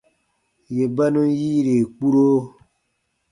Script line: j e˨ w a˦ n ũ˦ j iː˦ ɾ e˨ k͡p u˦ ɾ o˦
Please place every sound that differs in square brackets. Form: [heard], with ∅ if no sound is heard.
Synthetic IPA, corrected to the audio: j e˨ [b] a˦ n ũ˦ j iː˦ ɾ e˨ k͡p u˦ ɾ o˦